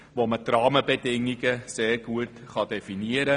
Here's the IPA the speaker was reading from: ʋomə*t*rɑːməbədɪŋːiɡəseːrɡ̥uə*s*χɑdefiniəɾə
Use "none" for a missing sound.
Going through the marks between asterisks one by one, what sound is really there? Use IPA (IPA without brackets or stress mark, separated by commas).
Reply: t, t